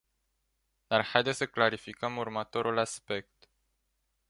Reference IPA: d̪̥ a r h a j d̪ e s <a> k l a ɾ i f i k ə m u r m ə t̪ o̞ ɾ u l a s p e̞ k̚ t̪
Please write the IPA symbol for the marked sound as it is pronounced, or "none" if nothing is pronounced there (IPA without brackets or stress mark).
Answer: ə